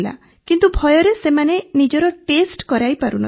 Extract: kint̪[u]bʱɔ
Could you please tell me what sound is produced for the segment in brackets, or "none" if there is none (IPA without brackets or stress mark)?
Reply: u